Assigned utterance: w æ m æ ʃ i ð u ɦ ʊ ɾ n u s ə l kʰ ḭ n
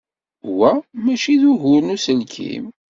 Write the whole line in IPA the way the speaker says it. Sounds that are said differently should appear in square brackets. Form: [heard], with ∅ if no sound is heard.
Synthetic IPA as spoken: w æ m æ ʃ i ð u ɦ ʊ ɾ n u s ə l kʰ ḭ [m]